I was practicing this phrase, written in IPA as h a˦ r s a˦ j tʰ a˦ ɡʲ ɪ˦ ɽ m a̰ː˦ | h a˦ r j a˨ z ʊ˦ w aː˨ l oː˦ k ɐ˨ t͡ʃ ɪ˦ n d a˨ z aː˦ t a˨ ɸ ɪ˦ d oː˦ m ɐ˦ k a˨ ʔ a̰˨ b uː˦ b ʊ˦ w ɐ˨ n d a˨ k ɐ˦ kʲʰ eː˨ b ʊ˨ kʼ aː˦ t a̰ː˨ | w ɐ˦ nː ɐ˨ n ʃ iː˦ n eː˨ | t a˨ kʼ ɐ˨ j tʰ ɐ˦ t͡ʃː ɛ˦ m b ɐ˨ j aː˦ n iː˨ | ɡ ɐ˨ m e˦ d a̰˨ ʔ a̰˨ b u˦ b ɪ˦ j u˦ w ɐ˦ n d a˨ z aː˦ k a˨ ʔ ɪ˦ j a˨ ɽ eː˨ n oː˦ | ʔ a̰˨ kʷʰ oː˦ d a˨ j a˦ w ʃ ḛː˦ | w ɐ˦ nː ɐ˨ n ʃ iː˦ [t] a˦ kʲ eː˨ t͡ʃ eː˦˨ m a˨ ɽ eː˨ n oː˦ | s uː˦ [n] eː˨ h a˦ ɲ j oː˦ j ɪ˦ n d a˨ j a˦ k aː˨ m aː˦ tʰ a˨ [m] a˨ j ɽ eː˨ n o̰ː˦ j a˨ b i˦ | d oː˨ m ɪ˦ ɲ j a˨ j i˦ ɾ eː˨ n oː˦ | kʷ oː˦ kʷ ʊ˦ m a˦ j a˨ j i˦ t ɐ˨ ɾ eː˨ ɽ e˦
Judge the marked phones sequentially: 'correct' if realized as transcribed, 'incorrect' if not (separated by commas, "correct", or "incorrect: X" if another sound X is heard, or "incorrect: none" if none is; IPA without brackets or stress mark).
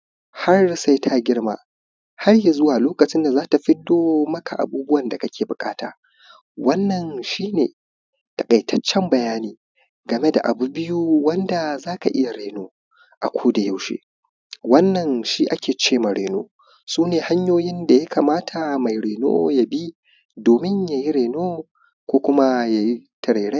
incorrect: ʔ, correct, correct